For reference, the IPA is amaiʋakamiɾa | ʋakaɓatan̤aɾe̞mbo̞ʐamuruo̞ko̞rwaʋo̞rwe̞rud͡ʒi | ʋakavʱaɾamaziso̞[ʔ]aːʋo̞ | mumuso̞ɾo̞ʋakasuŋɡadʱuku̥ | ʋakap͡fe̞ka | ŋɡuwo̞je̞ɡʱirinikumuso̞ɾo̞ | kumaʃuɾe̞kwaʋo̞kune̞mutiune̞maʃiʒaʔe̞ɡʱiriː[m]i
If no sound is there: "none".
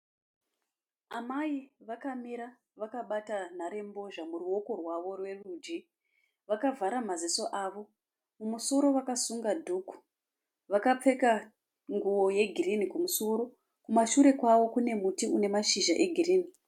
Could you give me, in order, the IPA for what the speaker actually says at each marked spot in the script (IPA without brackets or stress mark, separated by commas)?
ʔ, n